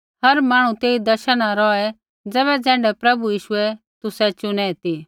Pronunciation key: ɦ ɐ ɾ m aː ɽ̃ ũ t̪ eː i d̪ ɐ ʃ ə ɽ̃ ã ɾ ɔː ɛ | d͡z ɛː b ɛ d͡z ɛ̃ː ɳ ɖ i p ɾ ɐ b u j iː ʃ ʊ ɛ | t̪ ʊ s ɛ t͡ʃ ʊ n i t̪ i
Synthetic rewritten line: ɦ ɐ ɾ m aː ɽ̃ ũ t̪ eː i d̪ ɐ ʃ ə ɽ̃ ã ɾ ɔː ɛ | d͡z ɛː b ɛ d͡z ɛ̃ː ɳ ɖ ɛ p ɾ ɐ b u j iː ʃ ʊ ɛ | t̪ ʊ s ɛ t͡ʃ ʊ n ɛ t̪ i